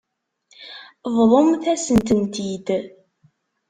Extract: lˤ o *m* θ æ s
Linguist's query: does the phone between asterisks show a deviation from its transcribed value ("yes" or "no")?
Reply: no